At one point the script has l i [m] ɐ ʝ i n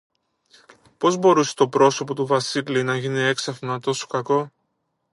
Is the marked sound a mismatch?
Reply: yes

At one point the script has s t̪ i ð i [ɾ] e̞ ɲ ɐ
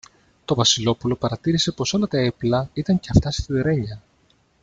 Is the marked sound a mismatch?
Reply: no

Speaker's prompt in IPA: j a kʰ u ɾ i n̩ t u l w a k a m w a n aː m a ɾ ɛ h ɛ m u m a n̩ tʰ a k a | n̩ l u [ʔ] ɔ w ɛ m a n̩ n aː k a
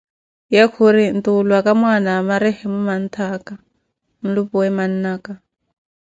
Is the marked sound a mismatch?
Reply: yes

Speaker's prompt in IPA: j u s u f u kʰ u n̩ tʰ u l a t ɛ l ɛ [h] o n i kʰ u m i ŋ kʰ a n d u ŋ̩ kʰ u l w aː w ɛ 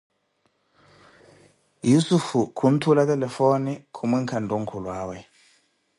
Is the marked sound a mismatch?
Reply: yes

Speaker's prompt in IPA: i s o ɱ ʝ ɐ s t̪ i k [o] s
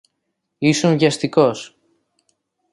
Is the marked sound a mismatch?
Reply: no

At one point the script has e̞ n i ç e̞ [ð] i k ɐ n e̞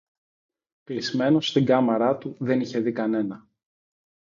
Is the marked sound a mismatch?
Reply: no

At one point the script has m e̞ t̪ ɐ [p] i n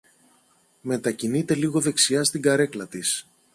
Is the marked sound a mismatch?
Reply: yes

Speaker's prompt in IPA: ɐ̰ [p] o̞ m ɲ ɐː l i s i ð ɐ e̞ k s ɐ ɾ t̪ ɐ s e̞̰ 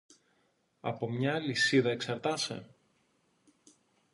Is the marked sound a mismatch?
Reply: no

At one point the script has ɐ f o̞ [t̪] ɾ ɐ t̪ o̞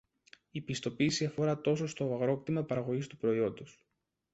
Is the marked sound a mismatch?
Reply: yes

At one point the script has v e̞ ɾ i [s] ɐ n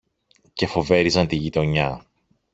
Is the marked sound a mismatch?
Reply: yes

